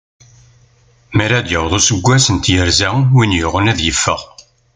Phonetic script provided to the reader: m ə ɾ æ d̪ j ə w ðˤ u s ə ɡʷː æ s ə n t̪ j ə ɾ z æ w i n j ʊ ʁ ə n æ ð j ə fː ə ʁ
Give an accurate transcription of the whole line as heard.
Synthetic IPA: m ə ɾ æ d̪ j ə w ðˤ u s ə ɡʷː æ s ə n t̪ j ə ɾ z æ w i n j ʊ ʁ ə n æ ð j ə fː ə ʁ

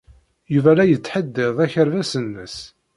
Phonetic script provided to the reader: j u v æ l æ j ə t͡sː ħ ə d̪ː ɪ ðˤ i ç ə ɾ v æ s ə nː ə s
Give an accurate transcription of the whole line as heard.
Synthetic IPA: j u v æ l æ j ə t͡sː ħ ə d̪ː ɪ ðˤ æ ç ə ɾ v æ s ə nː ə s

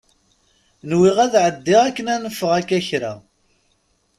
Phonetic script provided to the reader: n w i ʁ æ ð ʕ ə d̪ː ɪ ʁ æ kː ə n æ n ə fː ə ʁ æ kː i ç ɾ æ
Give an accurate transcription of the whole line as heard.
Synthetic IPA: n w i ʁ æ ð ʕ ə d̪ː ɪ ʁ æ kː ə n æ n ə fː ə ʁ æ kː æ ç ɾ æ

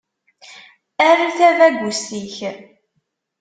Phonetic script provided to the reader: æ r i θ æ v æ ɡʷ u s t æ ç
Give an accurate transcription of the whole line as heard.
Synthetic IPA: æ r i θ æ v æ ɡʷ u s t i ç

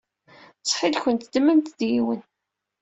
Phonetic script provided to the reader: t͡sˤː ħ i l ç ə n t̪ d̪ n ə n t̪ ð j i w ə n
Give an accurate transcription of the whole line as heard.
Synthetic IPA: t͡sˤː ħ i l ç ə n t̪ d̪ m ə n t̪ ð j i w ə n

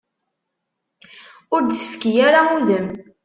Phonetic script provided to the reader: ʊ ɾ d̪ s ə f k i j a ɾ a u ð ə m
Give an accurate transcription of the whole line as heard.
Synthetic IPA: ʊ ɾ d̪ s ə f k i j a ɾ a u ð ə m

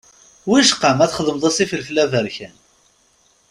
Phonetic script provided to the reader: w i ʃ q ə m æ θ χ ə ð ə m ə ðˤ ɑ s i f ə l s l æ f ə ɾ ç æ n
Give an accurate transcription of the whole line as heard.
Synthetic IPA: w i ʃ q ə m æ θ χ ə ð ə m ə ðˤ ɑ s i f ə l f l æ v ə ɾ ç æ n

